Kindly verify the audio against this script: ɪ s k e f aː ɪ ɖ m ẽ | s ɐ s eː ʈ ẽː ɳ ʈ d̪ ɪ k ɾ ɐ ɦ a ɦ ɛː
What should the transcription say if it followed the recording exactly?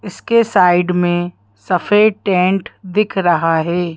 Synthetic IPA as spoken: ɪ s k e s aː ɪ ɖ m ẽ | s ɐ f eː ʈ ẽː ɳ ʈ d̪ ɪ kʰ ɾ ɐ ɦ a ɦ ɛː